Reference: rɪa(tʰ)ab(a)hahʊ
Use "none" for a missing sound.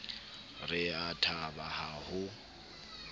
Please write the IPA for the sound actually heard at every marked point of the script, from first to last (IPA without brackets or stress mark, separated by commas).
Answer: tʰ, a